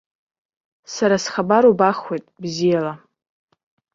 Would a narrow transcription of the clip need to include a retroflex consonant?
no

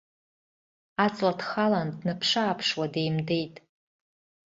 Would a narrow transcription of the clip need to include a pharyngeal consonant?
no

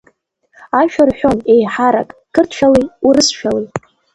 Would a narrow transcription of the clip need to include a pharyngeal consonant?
yes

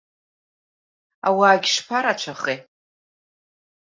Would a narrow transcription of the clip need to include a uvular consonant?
yes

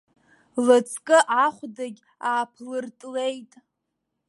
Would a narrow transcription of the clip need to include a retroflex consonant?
no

